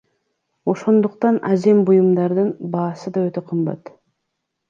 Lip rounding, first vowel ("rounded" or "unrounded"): rounded